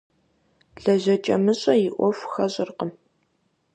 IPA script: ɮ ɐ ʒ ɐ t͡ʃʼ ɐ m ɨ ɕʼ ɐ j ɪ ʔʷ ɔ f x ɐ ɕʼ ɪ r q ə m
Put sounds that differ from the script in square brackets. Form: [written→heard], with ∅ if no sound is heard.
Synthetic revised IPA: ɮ ɐ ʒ ɐ t͡ʃʼ ɐ m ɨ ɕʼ ɐ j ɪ ʔʷ ɔ f x ɐ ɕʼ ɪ r q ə m

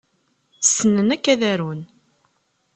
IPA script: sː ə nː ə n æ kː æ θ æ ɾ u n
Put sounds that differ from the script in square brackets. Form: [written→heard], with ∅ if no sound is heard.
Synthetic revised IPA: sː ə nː ə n æ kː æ [θ→ð] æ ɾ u n

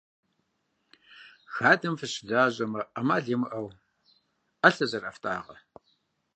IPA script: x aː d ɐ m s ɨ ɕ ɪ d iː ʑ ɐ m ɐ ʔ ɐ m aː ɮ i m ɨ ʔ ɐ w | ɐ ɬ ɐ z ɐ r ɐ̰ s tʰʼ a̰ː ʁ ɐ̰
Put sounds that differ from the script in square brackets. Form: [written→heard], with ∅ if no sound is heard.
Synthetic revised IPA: x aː d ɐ m [s→f] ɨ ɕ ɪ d [iː→aː] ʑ ɐ m ɐ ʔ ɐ m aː ɮ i m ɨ ʔ ɐ w | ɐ ɬ ɐ z ɐ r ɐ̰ [s→f] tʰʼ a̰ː ʁ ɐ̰

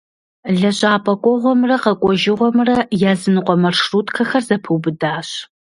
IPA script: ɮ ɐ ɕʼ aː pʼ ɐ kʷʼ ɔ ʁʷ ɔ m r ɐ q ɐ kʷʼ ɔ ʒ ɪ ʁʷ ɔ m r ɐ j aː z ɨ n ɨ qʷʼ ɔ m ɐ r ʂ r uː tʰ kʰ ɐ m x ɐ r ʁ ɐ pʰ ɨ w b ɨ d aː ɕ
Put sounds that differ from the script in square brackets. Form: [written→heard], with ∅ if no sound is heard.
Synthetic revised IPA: ɮ ɐ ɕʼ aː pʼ ɐ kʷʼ ɔ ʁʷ ɔ m r ɐ q ɐ kʷʼ ɔ ʒ ɪ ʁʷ ɔ m r ɐ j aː z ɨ n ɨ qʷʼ ɔ m ɐ r ʂ r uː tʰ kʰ ɐ [m→∅] x ɐ r [ʁ→z] ɐ pʰ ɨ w b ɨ d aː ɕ

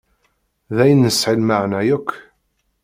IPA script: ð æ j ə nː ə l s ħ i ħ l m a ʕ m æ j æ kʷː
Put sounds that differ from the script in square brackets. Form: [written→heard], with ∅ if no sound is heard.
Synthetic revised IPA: ð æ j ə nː ə [l→∅] s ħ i [ħ→∅] l m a ʕ [m→n] æ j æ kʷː

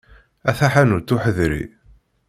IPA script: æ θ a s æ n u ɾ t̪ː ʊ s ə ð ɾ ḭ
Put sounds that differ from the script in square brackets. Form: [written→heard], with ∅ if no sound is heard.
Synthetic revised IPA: æ θ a [s→ħ] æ n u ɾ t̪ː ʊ [s→ħ] ə ð ɾ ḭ

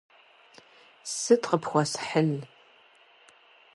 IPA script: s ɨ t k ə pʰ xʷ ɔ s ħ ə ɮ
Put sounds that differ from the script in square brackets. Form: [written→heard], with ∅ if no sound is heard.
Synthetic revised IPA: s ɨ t [k→q] ə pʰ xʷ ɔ s ħ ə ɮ

